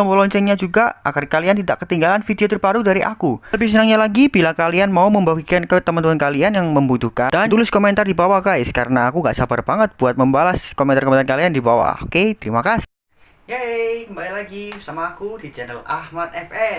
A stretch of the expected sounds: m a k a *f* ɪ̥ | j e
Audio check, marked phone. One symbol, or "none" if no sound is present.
s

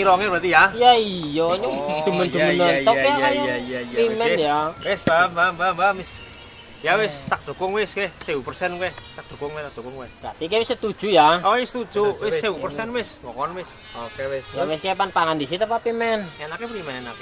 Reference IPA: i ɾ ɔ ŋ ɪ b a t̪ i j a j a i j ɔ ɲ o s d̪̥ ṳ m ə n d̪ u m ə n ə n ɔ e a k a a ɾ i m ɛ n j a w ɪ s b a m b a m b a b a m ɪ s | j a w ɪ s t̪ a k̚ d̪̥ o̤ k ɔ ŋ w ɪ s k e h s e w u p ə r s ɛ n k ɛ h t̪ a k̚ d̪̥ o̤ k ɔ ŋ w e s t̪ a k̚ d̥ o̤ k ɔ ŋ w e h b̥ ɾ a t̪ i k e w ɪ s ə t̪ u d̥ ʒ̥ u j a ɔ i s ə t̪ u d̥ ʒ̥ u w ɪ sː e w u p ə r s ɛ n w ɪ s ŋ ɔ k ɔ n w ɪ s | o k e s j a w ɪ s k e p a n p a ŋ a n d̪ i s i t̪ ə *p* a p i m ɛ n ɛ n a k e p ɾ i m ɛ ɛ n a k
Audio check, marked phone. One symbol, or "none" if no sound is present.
p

